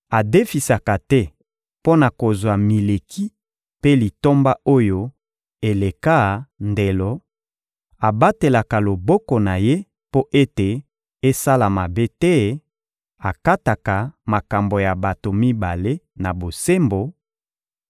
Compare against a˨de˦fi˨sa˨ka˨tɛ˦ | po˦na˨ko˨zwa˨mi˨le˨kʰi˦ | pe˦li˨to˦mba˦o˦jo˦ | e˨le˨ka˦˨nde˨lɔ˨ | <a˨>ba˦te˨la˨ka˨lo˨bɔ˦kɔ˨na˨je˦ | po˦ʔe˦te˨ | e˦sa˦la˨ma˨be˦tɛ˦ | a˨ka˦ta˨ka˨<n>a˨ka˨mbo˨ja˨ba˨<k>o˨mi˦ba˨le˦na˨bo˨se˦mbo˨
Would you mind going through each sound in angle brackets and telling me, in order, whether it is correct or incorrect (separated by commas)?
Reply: correct, incorrect, incorrect